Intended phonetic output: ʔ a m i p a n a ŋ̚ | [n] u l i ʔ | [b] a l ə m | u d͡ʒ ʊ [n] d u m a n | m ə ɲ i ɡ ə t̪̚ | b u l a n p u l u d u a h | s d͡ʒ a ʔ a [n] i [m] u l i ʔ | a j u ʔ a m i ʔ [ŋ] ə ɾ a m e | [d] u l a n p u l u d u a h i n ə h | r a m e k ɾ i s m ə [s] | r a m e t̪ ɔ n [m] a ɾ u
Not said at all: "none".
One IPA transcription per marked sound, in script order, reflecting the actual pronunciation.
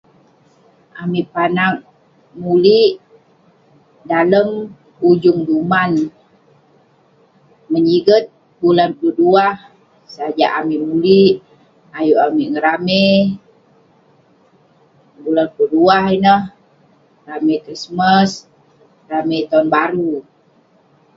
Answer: m, d, ŋ, m, m, ŋ, b, s, b

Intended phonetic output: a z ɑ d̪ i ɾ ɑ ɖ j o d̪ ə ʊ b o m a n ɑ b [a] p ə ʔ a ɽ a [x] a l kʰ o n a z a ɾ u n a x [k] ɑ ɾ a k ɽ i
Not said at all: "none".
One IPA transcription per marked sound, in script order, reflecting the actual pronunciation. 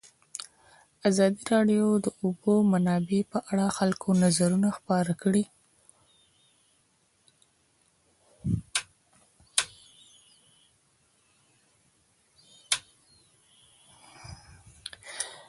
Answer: e, x, p

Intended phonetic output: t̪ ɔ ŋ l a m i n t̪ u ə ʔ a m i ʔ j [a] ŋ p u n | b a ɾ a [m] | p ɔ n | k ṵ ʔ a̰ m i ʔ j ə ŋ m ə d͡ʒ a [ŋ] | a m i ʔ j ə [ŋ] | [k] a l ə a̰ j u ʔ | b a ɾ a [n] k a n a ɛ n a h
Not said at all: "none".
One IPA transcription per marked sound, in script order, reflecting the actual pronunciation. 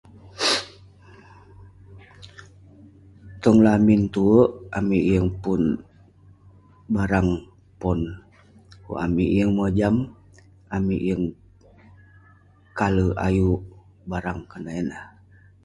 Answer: ə, ŋ, m, ŋ, k, ŋ

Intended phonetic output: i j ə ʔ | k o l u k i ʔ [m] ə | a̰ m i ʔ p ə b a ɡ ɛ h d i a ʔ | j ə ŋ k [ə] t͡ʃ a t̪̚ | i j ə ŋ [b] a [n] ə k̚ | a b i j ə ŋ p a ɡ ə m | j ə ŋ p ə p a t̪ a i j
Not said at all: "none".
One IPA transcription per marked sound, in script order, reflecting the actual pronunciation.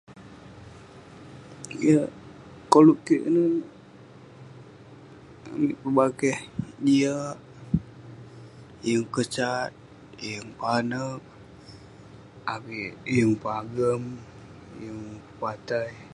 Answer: n, ə, p, n

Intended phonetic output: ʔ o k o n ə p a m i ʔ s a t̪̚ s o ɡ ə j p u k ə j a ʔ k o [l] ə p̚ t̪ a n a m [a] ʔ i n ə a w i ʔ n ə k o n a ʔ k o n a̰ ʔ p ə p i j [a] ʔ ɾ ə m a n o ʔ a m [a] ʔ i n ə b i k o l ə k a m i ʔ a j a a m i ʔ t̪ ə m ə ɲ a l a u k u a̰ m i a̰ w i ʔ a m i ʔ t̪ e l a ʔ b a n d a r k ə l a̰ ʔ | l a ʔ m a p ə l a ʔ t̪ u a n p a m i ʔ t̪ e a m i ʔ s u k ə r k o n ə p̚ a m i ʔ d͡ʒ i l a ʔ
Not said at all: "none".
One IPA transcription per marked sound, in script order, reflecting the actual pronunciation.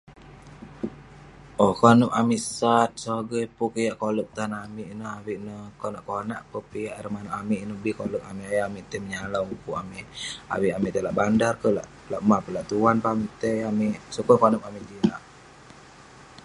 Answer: l, i, a, i

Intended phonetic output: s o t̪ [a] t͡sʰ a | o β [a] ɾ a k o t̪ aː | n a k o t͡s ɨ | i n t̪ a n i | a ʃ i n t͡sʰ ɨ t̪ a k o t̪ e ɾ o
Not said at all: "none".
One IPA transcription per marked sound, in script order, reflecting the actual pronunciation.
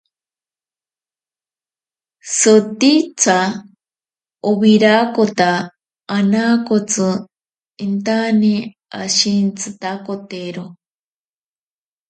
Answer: i, i

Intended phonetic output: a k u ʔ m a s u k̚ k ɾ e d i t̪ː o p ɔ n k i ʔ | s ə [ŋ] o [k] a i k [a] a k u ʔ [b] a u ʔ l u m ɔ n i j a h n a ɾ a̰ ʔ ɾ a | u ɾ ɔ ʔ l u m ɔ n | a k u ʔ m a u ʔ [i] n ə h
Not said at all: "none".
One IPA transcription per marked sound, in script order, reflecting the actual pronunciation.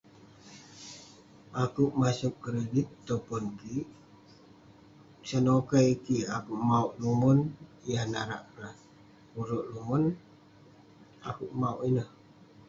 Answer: n, k, i, m, i

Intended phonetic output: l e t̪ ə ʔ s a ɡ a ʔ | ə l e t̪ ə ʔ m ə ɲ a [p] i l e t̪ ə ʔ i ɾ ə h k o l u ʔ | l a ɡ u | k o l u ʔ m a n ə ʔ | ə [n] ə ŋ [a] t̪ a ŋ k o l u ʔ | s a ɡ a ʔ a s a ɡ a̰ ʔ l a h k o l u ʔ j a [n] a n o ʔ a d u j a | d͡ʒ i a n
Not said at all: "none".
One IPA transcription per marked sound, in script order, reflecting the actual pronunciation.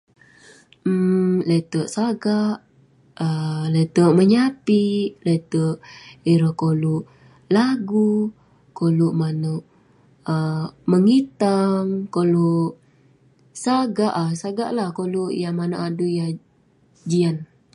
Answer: p, m, i, m

